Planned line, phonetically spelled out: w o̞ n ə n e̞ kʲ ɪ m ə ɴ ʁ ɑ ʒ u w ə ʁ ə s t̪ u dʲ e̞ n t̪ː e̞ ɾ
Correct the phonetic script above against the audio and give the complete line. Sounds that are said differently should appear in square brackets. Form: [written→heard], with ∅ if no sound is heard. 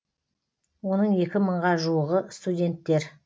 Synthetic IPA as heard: w o̞ n ə [n→ɴ] e̞ kʲ ɪ m ə ɴ ʁ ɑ ʒ u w ə ʁ ə s t̪ u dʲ e̞ n t̪ː e̞ ɾ